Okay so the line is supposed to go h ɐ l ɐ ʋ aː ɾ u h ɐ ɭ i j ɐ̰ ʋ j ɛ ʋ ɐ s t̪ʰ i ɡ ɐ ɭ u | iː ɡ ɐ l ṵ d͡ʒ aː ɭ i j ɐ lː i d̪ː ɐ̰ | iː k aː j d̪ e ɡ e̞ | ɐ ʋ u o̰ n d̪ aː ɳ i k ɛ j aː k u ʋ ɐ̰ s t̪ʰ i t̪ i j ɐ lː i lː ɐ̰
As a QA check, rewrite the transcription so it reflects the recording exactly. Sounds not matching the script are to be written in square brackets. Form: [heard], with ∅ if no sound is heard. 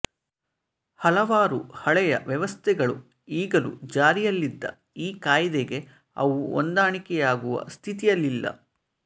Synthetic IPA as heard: h ɐ l ɐ ʋ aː ɾ u h ɐ ɭ [ɛ] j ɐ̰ ʋ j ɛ ʋ ɐ s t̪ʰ [ɛ] ɡ ɐ ɭ u | iː ɡ ɐ l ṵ d͡ʒ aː [ɾ] i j ɐ lː i d̪ː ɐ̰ | iː k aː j d̪ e ɡ e̞ | ɐ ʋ u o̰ n d̪ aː ɳ i k ɛ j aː [ɡ] u ʋ ɐ̰ s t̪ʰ i t̪ i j ɐ lː i lː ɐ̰

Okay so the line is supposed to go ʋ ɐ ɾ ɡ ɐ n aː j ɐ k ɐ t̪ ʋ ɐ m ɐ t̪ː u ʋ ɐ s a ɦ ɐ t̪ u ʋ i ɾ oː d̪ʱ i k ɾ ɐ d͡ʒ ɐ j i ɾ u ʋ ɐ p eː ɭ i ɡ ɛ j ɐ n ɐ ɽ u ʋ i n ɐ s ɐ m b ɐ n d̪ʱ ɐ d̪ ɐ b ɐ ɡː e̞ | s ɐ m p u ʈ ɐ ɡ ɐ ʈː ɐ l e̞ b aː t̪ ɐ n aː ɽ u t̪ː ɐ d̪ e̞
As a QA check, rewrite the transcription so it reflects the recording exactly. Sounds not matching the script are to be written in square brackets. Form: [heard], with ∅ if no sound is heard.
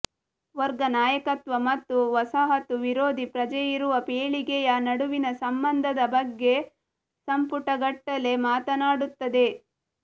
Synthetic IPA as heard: ʋ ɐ ɾ ɡ ɐ n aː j ɐ k ɐ t̪ ʋ ɐ m ɐ t̪ː u ʋ ɐ s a ɦ ɐ t̪ u ʋ i ɾ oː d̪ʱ i [p] ɾ ɐ d͡ʒ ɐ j i ɾ u ʋ ɐ p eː ɭ i ɡ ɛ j ɐ n ɐ ɽ u ʋ i n ɐ s ɐ m b ɐ n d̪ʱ ɐ d̪ ɐ b ɐ ɡː e̞ | s ɐ m p u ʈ ɐ ɡ ɐ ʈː ɐ l e̞ [m] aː t̪ ɐ n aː ɽ u t̪ː ɐ d̪ e̞

